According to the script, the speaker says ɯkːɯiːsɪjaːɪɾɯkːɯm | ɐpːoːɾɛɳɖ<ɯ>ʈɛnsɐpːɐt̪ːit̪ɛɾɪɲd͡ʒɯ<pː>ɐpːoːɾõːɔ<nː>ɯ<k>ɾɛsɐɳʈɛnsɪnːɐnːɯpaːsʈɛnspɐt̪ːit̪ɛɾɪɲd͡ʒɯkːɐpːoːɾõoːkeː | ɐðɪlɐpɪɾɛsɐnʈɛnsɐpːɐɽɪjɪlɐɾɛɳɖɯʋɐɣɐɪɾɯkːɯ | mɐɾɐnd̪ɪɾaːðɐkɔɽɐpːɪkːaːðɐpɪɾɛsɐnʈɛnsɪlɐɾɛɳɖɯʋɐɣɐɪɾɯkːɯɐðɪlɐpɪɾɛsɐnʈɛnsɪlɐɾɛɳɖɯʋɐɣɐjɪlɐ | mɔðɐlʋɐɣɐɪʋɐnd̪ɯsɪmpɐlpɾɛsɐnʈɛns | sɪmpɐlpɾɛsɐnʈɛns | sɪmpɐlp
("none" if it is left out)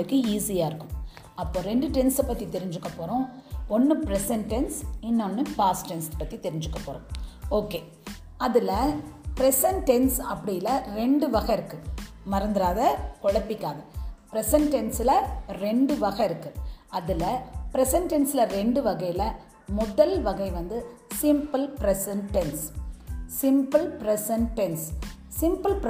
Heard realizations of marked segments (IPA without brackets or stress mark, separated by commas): ɯ, kː, nː, p